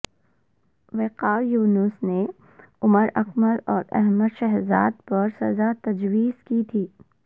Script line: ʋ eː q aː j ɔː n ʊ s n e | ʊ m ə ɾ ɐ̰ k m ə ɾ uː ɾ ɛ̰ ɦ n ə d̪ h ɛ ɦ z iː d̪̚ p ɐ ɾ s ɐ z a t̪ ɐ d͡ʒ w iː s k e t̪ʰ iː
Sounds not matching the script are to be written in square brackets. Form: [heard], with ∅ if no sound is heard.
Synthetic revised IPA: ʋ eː q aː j [uː] n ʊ s n e | ʊ m ə ɾ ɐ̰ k m ə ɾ [ɔː] ɾ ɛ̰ ɦ [m] ə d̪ [ʃ] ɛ ɦ z [aː] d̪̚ p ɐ ɾ s ɐ z a t̪ ɐ d͡ʒ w iː [z] k [i] t̪ʰ iː